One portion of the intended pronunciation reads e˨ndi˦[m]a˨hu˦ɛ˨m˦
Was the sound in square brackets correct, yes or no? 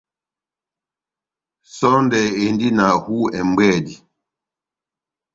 no